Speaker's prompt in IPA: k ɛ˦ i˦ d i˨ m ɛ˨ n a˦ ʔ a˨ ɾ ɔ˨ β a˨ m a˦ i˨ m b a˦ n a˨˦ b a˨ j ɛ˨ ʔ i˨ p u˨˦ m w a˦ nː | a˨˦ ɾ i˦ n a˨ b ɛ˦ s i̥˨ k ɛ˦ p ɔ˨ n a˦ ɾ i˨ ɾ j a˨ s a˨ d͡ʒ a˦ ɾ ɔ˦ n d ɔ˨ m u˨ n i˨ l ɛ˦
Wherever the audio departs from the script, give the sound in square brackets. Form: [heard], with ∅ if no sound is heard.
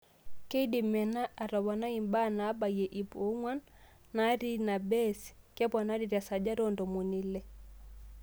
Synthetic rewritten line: k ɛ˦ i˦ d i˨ m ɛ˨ n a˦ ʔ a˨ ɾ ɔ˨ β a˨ [n] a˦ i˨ m b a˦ n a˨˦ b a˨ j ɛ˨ ʔ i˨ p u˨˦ [ŋ] w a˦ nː | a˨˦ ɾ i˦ n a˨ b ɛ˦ s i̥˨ k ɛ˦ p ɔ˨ n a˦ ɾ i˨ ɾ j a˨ s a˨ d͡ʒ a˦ ɾ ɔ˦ n d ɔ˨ m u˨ n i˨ l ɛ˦